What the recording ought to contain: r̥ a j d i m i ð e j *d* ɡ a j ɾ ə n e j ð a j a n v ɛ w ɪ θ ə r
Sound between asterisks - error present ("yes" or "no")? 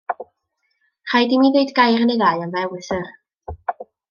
no